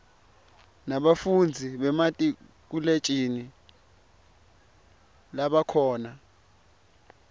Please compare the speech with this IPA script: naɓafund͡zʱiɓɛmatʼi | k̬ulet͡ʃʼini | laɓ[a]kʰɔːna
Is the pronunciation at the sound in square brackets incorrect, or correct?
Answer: correct